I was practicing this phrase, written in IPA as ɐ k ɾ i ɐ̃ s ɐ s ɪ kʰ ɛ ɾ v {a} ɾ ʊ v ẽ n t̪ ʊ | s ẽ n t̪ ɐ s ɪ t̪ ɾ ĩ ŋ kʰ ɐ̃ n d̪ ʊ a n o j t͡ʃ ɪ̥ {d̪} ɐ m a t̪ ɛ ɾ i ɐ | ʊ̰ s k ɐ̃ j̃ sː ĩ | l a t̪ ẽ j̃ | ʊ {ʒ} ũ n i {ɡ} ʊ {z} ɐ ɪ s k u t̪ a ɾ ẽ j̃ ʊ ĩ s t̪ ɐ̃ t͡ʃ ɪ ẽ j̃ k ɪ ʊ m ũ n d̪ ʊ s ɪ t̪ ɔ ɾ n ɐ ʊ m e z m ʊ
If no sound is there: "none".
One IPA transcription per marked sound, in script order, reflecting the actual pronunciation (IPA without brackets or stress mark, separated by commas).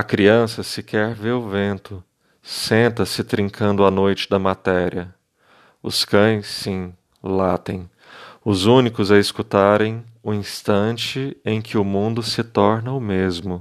e, d̪, z, k, z